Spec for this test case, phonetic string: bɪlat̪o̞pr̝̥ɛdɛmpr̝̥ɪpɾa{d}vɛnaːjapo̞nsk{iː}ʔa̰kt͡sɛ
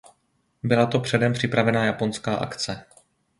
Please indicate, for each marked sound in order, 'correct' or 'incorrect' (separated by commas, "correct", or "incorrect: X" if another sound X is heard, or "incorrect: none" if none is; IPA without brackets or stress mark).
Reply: incorrect: none, incorrect: aː